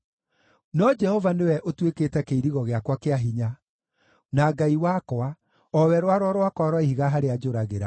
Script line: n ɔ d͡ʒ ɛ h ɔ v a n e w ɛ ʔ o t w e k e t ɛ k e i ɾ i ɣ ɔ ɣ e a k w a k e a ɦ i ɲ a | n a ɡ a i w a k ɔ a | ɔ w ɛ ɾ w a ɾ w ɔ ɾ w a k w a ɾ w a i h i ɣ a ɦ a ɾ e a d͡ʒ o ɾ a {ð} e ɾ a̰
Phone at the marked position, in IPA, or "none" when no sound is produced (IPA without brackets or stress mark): ɣ